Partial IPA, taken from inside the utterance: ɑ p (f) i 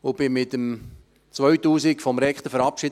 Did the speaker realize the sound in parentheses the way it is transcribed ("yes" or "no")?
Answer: no